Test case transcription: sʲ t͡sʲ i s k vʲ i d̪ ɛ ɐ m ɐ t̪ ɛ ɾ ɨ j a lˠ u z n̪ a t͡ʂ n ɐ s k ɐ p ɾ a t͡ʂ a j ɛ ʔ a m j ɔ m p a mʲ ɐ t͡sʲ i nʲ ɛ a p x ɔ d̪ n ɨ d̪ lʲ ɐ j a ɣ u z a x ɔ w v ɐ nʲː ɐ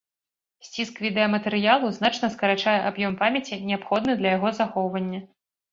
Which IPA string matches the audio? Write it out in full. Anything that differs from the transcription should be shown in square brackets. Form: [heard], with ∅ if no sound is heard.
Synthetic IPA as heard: sʲ t͡sʲ i s k vʲ i d̪ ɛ ɐ m ɐ t̪ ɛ ɾ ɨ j a lˠ u z n̪ a t͡ʂ n ɐ s k ɐ [∅] ɾ a t͡ʂ a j ɛ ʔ a [b] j ɔ m p a mʲ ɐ t͡sʲ i nʲ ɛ a p x ɔ d̪ n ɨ d̪ lʲ ɐ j a ɣ [ɔ] z a x ɔ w v ɐ nʲː ɐ